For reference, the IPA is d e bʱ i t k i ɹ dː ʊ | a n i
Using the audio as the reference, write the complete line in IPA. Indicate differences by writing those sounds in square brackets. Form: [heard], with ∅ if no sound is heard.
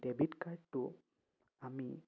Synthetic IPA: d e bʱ i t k [a] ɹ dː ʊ | a [m] i